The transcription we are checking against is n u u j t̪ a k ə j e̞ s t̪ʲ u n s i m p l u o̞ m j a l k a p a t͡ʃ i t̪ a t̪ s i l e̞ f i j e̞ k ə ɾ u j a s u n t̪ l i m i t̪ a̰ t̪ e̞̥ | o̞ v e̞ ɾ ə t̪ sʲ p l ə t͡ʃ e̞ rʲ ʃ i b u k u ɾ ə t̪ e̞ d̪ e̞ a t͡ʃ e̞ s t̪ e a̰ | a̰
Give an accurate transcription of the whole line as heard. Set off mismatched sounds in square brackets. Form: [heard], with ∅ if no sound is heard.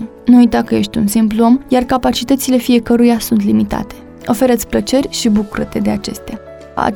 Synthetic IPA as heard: n u u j t̪ a k ə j e̞ [ʃ] t̪ʲ u n s i m p l u o̞ m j a [r] k a p a t͡ʃ i t̪ [ə] t̪ s i l e̞ f i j e̞ k ə ɾ u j a s u n t̪ l i m i t̪ a̰ t̪ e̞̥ | o̞ [f] e̞ ɾ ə t̪ sʲ p l ə t͡ʃ e̞ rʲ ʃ i b u k u ɾ ə t̪ e̞ d̪ e̞ a t͡ʃ e̞ s t̪ e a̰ | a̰